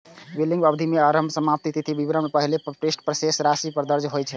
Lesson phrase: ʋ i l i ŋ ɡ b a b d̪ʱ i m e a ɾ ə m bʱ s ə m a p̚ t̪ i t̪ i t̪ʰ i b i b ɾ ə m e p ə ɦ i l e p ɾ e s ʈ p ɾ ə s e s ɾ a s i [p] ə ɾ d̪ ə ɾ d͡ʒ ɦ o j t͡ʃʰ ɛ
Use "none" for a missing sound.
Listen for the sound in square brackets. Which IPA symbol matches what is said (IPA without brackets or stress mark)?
p